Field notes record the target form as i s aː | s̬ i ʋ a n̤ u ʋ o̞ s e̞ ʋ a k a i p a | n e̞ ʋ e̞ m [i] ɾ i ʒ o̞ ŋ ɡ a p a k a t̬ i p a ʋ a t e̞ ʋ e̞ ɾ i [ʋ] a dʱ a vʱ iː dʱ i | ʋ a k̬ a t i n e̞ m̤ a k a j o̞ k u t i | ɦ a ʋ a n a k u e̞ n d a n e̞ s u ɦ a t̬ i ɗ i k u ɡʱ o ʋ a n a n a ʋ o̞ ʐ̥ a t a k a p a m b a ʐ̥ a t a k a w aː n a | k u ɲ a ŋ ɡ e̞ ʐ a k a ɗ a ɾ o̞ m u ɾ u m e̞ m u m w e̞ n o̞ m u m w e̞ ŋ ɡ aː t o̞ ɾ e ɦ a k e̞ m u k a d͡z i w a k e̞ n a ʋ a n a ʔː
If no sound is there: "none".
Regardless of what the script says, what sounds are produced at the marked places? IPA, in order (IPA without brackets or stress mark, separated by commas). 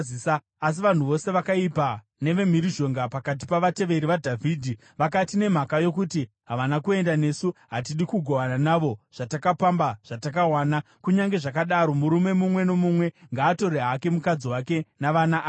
i, ʋ